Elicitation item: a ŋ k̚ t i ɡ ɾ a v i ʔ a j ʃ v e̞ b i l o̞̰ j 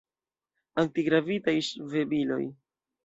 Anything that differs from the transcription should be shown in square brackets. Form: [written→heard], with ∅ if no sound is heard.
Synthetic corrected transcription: a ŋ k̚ t i ɡ ɾ a v i [ʔ→t] a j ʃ v e̞ b i l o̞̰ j

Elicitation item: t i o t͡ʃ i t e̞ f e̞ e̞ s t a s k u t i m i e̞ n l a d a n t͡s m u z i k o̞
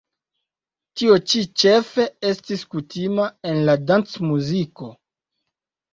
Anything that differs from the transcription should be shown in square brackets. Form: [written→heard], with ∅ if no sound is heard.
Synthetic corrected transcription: t i o t͡ʃ i [t→t͡ʃ] e̞ f e̞ e̞ s t [a→i] s k u t i m [i→a] e̞ n l a d a n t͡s m u z i k o̞

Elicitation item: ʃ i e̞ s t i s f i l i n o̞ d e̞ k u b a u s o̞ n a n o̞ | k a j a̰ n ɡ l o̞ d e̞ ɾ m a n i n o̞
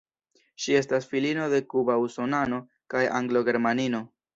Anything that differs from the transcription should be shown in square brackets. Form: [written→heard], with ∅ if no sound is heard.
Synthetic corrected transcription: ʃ i e̞ s t [i→a] s f i l i n o̞ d e̞ k u b a u s o̞ n a n o̞ | k a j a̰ [n→ŋ] ɡ l o̞ [d→ɡ] e̞ ɾ m a n i n o̞

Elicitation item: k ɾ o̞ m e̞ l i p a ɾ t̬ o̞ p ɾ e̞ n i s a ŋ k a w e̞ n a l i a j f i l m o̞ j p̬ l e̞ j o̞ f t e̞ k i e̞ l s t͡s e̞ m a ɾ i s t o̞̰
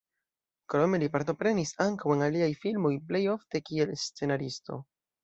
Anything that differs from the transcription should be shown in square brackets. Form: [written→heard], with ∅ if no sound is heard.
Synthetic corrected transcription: k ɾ o̞ m e̞ l i p a ɾ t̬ o̞ p ɾ e̞ n i s a ŋ k a w e̞ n a l i a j f i l m o̞ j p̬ l e̞ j o̞ f t e̞ k i e̞ l s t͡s e̞ [m→n] a ɾ i s t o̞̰

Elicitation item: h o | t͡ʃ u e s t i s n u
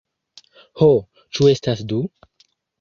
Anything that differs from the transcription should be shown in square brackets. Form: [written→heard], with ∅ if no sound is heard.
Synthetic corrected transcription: h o | t͡ʃ u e s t [i→a] s [n→d] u

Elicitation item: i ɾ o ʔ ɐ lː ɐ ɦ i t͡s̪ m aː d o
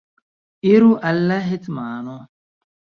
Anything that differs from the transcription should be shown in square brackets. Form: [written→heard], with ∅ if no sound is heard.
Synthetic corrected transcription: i ɾ [o→u] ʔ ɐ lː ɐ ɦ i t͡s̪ m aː [d→n] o

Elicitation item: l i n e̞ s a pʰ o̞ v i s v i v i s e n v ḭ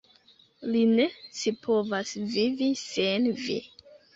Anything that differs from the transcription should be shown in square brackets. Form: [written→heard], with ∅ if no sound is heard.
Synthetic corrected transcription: l i n e̞ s [a→i] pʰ o̞ v [i→a] s v i v i s e n v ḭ

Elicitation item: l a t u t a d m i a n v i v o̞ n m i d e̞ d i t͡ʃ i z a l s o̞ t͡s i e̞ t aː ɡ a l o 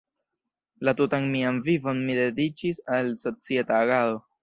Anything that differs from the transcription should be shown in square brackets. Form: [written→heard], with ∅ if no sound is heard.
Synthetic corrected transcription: l a t u t a [d→n] m i a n v i v o̞ n m i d e̞ d i t͡ʃ i [z→s] a l s o̞ t͡s i e̞ t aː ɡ a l o

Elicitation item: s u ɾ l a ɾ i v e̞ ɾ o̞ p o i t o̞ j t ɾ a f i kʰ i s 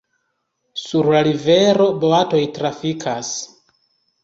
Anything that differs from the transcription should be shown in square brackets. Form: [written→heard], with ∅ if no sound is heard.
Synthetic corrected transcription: s u ɾ l a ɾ i v e̞ ɾ o̞ [p→b] o [i→a] t o̞ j t ɾ a f i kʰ [i→a] s

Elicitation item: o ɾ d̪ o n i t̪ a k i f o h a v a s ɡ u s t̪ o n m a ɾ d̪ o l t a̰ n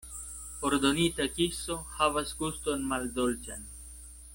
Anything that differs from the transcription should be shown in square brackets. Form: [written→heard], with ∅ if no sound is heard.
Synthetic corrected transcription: o ɾ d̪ o n i t̪ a k i [f→s] o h a v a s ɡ u s t̪ o n m a [ɾ→l] d̪ o l [t→t͡ʃ] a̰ n

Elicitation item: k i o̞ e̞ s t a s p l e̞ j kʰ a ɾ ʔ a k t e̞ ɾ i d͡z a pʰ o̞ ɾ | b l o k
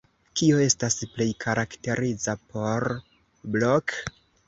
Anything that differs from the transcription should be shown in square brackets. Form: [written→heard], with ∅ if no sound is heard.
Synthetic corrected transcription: k i o̞ e̞ s t a s p l e̞ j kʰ a ɾ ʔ a k t e̞ ɾ i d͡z a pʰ o̞ ɾ | b l o k

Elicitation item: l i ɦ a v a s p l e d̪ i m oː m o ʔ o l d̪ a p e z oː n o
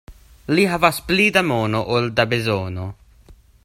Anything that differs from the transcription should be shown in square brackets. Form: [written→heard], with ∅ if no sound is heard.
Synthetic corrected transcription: l i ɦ a v a s p l [e→i] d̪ [i→a] m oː [m→n] o ʔ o l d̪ a [p→b] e z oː n o

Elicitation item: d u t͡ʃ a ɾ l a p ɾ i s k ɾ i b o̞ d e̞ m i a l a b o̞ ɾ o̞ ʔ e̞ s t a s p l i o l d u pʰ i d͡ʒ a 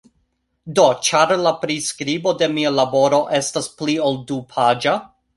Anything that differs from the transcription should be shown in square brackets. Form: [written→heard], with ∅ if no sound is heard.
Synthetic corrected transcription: d [u→o] t͡ʃ a ɾ l a p ɾ i s k ɾ i b o̞ d e̞ m i a l a b o̞ ɾ o̞ ʔ e̞ s t a s p l i o l d u pʰ [i→a] d͡ʒ a

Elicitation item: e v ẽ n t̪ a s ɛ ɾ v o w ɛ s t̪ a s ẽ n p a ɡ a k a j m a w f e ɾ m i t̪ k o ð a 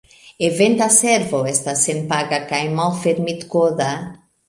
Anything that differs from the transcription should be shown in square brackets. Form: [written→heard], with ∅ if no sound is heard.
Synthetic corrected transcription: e v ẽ n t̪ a s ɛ ɾ v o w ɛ s t̪ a s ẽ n p a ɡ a k a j m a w f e ɾ m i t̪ k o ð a

